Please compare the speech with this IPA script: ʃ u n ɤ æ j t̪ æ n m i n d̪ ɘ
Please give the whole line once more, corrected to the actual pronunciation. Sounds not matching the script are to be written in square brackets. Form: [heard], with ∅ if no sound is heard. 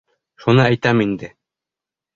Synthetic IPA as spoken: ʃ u n ɤ æ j t̪ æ [∅] m i n d̪ ɘ